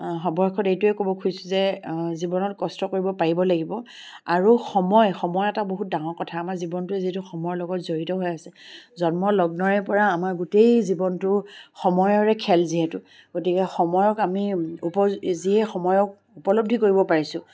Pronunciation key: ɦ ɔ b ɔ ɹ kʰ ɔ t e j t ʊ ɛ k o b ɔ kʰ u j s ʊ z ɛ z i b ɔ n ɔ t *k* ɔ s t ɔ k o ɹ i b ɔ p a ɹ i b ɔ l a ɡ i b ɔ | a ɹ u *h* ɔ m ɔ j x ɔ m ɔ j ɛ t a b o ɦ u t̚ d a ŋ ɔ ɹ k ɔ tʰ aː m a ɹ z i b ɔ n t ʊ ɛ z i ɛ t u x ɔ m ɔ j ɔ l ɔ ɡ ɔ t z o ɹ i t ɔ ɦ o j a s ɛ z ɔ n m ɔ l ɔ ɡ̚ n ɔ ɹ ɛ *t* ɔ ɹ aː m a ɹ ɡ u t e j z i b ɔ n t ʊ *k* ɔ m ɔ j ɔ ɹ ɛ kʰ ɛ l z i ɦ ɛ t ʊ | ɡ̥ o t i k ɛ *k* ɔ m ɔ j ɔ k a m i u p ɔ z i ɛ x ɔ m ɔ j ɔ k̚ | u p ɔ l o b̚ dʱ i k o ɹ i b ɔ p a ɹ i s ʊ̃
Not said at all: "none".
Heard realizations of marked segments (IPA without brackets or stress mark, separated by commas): k, x, p, x, x